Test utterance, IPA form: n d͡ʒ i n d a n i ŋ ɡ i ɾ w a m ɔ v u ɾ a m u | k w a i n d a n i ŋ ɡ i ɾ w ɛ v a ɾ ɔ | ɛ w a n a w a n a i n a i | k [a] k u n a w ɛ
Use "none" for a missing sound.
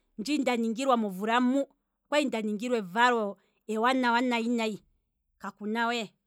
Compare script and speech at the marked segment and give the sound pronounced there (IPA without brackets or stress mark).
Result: a